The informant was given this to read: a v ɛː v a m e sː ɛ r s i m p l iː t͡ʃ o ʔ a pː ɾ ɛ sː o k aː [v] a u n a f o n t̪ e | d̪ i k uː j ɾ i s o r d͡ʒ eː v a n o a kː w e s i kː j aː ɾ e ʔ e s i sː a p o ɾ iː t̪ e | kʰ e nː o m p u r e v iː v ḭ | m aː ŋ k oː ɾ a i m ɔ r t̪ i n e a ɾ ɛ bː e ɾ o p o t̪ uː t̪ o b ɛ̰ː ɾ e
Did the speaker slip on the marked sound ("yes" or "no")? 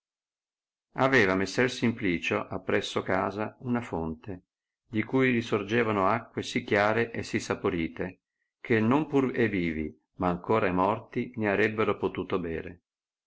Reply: yes